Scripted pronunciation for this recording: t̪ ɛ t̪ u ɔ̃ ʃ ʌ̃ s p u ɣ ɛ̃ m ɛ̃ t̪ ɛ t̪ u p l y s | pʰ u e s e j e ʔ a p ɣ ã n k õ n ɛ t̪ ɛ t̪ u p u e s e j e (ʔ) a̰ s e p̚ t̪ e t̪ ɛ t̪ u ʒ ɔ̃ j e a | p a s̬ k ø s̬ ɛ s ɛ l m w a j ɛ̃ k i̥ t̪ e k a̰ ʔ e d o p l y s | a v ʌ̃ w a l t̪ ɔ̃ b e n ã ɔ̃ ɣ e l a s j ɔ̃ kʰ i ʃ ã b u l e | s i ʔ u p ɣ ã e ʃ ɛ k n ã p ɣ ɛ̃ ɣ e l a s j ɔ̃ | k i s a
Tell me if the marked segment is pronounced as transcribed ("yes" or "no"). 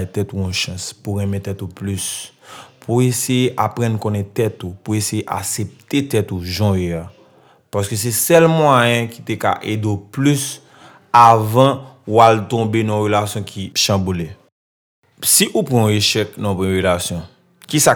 yes